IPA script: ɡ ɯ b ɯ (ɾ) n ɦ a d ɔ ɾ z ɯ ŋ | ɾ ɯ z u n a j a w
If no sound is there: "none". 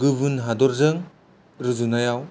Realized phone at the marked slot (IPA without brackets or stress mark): none